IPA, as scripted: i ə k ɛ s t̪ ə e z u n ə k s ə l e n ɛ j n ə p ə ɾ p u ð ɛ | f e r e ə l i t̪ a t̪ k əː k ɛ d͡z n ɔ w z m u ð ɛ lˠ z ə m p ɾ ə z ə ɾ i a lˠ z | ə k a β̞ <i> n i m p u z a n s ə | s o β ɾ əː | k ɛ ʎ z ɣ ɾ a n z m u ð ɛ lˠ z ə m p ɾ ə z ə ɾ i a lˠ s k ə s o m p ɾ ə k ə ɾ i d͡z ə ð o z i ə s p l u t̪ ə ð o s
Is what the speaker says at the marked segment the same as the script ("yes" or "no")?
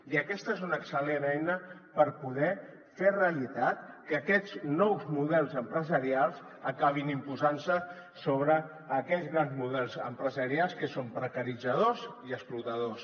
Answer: yes